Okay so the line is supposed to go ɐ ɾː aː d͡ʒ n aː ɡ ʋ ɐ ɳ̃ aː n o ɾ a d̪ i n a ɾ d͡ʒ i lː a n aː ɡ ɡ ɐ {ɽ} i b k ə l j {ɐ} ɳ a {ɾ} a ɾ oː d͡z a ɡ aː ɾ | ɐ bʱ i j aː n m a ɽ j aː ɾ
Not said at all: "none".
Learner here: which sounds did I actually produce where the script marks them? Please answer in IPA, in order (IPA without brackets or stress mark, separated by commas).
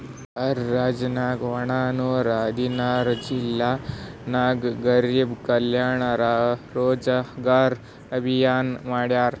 ɾ, a, ɾ